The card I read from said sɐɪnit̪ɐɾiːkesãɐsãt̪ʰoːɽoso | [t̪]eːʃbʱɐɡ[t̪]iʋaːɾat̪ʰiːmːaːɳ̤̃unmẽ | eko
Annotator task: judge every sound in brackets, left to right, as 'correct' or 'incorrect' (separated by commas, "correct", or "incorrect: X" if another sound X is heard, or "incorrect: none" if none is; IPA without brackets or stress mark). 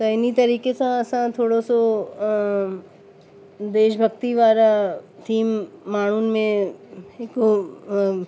incorrect: d̪, correct